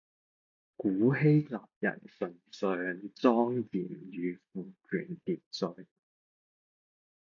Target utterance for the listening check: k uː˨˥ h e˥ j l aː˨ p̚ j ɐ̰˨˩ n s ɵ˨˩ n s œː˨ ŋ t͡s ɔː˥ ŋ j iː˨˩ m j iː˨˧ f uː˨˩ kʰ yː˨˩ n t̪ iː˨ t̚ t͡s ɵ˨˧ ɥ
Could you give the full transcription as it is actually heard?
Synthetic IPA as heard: k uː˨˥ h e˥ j l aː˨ p̚ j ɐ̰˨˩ n s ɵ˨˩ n s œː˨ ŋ t͡s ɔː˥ ŋ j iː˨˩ m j yː˨˧ f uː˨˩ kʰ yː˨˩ n t̪ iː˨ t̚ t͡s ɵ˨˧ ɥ